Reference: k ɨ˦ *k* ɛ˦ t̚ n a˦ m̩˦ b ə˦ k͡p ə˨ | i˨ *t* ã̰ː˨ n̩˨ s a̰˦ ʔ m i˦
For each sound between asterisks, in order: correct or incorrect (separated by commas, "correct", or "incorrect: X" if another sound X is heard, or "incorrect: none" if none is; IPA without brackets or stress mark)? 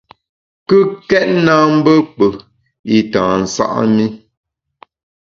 correct, correct